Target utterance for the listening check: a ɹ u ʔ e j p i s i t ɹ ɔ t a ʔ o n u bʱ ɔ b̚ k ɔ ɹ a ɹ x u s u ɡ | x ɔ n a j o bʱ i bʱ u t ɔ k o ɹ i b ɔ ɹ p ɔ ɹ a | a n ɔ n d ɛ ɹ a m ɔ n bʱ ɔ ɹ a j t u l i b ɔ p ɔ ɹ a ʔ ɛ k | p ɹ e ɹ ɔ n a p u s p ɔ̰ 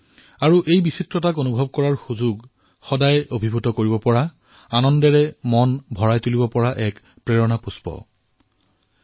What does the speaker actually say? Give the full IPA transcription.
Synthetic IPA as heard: a ɹ u ʔ e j b i s i t ɹ ɔ t a k o n u bʱ ɔ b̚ k ɔ ɹ a ɹ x u z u ɡ | x ɔ d a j o bʱ i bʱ u t ɔ k o ɹ i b ɔ p ɔ ɹ a | a n ɔ n d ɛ ɹ ɛ m ɔ n bʱ ɔ ɹ a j t u l i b ɔ p ɔ ɹ a ʔ ɛ k | p ɹ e ɹ ɔ n a p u s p ɔ̰